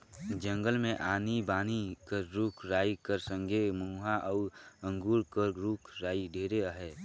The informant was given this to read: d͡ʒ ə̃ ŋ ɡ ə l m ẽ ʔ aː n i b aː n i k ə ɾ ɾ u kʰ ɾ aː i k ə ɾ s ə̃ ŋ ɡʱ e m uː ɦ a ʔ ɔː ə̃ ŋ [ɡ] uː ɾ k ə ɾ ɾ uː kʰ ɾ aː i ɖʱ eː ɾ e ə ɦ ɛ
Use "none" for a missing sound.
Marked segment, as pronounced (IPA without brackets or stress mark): ɡ